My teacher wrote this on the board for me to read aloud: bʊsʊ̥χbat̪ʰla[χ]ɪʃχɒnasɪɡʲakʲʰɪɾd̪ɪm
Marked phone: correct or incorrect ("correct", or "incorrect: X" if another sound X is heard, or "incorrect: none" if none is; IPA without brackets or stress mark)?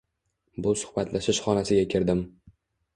incorrect: ʃ